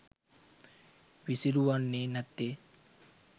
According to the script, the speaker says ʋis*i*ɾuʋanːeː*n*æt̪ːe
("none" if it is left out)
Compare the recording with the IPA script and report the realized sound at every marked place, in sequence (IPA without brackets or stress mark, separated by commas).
i, n